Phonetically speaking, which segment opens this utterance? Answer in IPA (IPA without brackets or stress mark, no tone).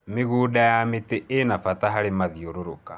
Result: m